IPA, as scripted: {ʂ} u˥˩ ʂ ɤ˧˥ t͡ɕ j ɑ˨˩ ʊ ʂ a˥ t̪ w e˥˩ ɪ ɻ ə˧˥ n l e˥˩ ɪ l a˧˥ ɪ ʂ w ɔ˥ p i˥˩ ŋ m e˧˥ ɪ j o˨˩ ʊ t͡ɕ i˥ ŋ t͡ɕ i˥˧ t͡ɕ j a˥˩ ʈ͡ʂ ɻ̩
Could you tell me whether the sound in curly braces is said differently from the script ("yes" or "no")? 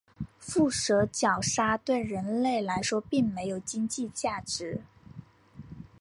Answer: yes